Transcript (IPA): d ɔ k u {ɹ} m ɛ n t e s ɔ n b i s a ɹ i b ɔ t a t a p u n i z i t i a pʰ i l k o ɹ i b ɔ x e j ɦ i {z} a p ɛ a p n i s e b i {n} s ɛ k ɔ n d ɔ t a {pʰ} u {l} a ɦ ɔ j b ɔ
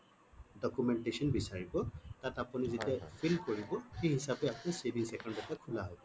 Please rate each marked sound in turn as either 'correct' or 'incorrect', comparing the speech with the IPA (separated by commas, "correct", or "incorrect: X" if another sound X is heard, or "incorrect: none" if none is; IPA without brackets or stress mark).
incorrect: none, incorrect: s, incorrect: ŋ, incorrect: kʰ, correct